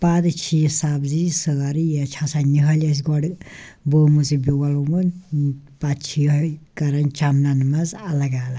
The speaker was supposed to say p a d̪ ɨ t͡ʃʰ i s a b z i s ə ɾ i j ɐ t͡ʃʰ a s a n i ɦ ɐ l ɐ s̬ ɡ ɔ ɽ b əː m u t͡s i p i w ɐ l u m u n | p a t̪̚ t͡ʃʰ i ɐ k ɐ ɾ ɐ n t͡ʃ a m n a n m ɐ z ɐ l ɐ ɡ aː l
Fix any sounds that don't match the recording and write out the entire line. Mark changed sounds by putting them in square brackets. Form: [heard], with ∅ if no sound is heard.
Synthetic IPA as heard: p a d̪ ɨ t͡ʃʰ i s a b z i s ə ɾ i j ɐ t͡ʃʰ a s a n i ɦ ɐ l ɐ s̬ ɡ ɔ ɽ b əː m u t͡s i [b] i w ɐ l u m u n | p a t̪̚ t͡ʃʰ i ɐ k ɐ ɾ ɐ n t͡ʃ a m n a n m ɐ z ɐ l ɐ ɡ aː l